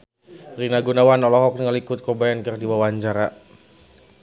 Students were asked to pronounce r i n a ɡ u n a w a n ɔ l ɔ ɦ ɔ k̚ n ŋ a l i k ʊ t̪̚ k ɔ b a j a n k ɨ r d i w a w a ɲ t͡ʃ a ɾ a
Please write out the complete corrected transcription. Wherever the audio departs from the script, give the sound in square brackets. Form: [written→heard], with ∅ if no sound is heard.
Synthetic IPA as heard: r i n a ɡ u n a w a n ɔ l ɔ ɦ ɔ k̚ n ŋ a l i k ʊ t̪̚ k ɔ b a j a n k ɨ r d i w a w a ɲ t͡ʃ a ɾ a